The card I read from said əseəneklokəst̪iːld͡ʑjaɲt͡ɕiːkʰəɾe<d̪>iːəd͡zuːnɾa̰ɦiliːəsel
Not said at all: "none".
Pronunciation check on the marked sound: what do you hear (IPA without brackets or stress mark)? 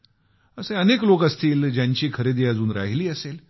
d̪